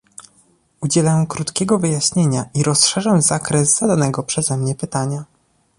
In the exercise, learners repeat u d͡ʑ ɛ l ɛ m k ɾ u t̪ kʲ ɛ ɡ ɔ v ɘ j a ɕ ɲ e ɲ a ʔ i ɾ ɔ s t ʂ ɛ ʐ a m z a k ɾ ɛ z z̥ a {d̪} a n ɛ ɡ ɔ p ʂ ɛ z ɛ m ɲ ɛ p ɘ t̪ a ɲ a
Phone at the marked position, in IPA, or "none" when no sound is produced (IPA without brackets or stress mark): d̪